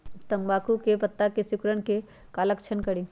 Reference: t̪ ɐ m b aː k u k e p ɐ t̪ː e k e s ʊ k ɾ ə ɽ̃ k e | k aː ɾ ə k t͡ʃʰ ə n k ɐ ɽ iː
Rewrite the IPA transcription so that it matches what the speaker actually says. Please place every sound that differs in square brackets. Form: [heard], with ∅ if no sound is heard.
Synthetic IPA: t̪ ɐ m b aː k u k e p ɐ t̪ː [a] k e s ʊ k ɾ ə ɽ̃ k e | k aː [l] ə k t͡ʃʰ ə n k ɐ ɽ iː